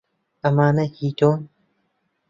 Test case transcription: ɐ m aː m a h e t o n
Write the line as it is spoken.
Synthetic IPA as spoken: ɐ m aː n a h i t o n